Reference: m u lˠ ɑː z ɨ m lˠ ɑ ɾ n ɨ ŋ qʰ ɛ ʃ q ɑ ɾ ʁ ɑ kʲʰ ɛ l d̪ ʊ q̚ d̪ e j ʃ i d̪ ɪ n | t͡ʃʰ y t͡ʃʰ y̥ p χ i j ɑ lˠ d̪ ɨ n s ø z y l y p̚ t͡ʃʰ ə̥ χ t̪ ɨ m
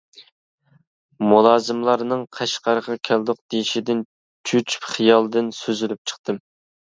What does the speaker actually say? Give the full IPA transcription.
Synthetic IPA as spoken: m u lˠ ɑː z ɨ m lˠ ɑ ɾ n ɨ ŋ qʰ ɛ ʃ q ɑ ɾ ʁ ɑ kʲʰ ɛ l d̪ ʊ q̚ d̪ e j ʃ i d̪ ɪ n | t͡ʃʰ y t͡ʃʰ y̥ p χ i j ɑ lˠ d̪ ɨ n s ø z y l y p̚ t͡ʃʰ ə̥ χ t̪ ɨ m